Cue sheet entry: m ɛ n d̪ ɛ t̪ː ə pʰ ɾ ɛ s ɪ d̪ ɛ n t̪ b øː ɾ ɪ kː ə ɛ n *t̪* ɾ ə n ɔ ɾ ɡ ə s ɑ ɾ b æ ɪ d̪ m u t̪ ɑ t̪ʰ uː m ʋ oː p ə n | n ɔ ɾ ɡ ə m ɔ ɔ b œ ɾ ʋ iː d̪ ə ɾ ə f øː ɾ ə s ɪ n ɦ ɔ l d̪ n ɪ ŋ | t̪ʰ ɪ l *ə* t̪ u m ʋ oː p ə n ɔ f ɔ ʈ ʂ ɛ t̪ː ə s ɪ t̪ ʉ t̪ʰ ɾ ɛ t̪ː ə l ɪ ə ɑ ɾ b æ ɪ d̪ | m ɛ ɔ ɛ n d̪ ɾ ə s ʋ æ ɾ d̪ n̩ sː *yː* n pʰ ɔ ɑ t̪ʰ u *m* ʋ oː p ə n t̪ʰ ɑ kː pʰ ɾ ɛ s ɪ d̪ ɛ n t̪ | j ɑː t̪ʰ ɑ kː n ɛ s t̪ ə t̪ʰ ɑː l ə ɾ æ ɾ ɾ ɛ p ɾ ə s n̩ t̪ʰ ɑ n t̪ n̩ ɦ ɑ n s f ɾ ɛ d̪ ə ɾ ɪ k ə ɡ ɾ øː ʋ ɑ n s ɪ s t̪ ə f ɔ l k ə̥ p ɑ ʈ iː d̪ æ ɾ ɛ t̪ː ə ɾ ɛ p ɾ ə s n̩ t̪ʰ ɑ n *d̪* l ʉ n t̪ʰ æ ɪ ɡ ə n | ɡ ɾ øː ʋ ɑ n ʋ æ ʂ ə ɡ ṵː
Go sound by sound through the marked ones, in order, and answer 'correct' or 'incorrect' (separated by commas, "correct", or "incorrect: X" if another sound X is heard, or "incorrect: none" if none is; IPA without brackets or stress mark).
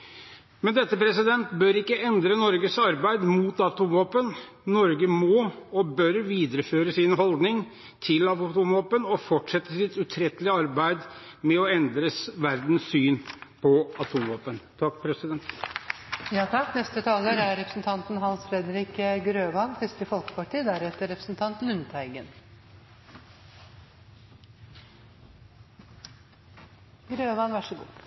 incorrect: d̪, incorrect: ɑ, correct, correct, incorrect: t̪